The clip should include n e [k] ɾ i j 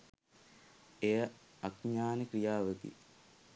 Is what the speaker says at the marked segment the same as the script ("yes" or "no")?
yes